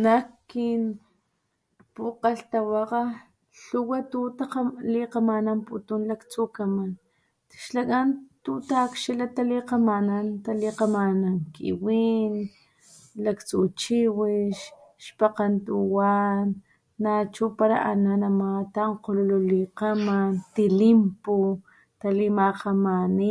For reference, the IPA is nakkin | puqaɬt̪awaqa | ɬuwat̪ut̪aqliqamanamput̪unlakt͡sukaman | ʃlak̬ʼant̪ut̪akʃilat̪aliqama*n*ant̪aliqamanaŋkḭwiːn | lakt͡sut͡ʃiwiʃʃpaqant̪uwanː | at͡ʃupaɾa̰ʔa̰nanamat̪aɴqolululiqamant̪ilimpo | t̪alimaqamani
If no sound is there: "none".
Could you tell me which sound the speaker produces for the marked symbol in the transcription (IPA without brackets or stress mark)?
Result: n